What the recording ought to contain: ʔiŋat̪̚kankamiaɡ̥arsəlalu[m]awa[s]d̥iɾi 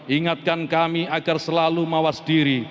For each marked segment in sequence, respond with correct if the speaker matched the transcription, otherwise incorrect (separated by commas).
correct, correct